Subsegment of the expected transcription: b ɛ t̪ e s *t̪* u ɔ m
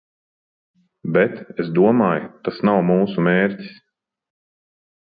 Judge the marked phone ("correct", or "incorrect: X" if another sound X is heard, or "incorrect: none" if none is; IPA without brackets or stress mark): incorrect: d̪